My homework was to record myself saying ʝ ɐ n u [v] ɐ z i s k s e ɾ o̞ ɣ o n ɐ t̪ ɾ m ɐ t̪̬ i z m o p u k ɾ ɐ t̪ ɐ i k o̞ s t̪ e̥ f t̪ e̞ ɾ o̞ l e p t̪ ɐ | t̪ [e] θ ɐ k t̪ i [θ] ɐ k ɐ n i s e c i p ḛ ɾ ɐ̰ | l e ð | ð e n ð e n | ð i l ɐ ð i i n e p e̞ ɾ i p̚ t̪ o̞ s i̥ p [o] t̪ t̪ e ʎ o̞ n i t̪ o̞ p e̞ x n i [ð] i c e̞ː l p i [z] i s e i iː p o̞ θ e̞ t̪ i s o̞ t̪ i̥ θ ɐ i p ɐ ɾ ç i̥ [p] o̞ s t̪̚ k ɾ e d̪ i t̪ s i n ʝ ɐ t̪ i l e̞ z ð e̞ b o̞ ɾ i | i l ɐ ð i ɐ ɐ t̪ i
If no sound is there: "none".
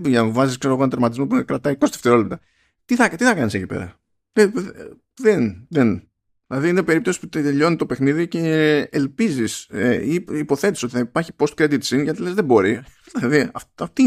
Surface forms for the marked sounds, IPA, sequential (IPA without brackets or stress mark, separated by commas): v, i, θ, u, ð, z, p